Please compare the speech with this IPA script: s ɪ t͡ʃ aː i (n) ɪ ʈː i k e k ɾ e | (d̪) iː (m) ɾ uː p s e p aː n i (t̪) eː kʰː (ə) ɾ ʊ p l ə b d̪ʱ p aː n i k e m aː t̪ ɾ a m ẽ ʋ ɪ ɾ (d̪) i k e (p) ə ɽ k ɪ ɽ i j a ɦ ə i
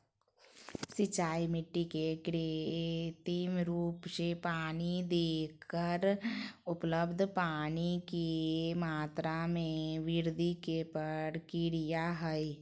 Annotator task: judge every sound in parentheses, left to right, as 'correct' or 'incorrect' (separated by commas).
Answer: incorrect, incorrect, correct, incorrect, correct, correct, correct